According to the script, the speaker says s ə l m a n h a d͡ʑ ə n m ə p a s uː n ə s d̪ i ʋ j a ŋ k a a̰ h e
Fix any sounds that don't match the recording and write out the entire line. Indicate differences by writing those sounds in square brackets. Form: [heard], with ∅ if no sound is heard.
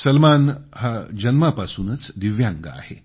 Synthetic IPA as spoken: s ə l m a n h a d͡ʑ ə n m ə p a s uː n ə [t͡s] d̪ i ʋ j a ŋ [ɡ] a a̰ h e